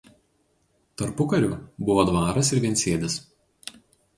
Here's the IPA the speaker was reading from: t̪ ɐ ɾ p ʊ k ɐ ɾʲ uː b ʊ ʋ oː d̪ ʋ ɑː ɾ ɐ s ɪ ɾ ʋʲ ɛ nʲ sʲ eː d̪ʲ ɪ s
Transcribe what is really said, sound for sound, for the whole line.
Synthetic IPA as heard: t̪ ɐ ɾ p ʊ k ɐ ɾʲ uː b ʊ ʋ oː d̪ ʋ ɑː ɾ ɐ s ɪ ɾ ʋʲ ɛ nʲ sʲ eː d̪ʲ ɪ s